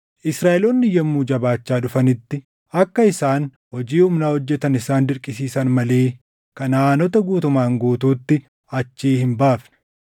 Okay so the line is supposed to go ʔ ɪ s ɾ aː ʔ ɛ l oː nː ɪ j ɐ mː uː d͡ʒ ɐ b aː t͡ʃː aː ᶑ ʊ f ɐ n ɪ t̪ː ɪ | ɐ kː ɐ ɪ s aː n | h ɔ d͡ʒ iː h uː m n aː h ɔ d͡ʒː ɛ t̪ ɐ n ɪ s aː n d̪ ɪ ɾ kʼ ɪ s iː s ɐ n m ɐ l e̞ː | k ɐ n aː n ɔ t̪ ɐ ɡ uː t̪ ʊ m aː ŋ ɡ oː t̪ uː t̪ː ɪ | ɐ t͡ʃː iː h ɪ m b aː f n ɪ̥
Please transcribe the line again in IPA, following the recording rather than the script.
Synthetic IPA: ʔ ɪ s ɾ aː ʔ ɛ l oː nː ɪ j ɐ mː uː d͡ʒ ɐ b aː t͡ʃː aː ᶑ ʊ f ɐ n ɪ t̪ː ɪ | ɐ kː ɐ ɪ s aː n | h ɔ d͡ʒ iː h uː m n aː h ɔ d͡ʒː ɛ t̪ ɐ n ɪ s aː n d̪ ɪ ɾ kʼ ɪ s iː s ɐ n m ɐ l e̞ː | k ɐ n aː n ɔ t̪ ɐ ɡ uː t̪ ʊ m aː ŋ ɡ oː t̪ uː t̪ː ɪ | ɐ t͡ʃː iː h ɪ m b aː f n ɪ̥